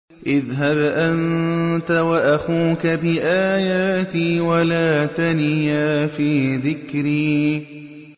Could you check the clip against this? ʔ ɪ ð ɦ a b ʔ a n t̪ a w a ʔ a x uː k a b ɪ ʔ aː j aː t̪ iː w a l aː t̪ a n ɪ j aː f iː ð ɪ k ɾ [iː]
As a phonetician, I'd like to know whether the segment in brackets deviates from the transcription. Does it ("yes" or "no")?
no